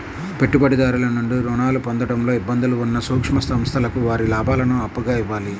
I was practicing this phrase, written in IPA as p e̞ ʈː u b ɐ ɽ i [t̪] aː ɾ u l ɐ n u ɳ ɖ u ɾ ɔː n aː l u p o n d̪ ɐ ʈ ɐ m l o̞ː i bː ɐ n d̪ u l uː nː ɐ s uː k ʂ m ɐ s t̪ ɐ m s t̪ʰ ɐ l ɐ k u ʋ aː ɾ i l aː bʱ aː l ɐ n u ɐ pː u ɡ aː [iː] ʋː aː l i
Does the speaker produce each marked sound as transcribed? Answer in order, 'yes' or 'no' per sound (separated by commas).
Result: no, no